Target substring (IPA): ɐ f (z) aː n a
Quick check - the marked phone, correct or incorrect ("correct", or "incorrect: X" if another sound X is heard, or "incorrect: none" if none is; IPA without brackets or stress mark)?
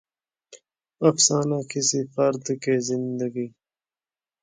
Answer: incorrect: s